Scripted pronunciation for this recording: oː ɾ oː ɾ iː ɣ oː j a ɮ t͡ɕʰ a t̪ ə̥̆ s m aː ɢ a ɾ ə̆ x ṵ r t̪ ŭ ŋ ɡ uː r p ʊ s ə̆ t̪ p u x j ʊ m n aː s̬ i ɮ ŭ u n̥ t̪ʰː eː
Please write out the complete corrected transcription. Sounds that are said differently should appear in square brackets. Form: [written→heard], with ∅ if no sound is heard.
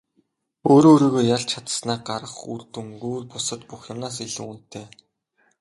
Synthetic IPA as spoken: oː ɾ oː ɾ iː ɣ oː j a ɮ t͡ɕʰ a t̪ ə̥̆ s [m→n] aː ɢ a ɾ ə̆ [x→χ] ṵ r t̪ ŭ ŋ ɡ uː r p ʊ s ə̆ t̪ p u x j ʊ m n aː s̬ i ɮ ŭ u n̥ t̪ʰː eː